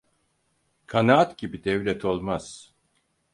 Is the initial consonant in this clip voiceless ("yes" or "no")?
yes